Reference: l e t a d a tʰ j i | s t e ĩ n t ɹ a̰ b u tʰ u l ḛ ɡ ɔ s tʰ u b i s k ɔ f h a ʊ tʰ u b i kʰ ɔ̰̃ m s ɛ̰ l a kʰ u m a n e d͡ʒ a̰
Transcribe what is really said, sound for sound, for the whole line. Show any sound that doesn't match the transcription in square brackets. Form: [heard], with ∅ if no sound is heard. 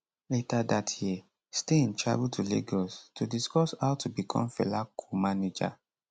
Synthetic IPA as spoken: l e t a d a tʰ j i | s t e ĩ n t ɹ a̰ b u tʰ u l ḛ ɡ ɔ s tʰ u [d] i s k ɔ [s] h a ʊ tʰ u b i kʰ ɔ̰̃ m [f] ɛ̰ l a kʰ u m a n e d͡ʒ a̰